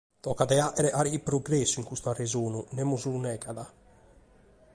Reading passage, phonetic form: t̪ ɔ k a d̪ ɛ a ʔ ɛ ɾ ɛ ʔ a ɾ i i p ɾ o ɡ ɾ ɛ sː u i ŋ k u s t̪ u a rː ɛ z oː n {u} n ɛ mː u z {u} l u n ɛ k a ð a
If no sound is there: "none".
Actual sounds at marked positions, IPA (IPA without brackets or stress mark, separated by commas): u, u